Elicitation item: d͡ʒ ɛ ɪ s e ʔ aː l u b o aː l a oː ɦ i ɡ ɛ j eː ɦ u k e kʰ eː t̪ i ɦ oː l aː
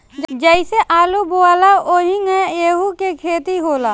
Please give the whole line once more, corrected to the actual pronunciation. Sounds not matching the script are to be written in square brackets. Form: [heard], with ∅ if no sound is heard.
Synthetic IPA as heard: d͡ʒ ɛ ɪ s e ʔ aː l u b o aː l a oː ɦ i [ŋ] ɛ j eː ɦ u k e kʰ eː t̪ i ɦ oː l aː